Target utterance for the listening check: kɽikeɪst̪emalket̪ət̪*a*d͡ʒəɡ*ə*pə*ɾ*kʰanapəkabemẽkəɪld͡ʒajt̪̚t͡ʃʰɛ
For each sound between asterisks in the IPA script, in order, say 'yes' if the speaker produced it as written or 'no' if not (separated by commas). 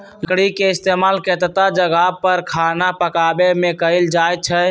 yes, no, yes